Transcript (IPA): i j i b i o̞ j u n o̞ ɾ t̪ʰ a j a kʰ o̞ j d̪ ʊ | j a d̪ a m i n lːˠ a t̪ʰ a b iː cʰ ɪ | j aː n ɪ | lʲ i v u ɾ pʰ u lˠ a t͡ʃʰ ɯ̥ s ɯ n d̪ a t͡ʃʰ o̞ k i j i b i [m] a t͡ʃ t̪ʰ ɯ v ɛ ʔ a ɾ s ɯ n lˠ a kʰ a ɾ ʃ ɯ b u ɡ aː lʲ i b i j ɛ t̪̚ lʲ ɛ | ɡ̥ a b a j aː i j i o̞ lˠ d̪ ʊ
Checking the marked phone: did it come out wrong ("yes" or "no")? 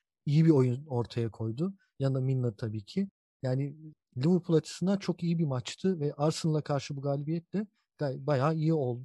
no